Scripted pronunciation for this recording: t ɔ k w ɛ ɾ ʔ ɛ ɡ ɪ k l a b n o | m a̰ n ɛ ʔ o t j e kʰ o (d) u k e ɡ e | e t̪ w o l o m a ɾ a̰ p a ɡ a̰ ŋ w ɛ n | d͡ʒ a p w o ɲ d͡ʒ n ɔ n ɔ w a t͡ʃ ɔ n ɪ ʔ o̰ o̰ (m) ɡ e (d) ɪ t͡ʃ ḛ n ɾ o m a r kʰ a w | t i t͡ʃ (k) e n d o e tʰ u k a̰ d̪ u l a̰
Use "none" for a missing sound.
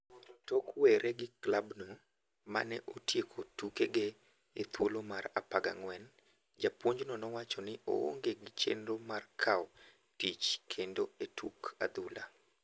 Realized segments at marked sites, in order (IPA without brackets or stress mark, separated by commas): t, ŋ, ɡ, kʰ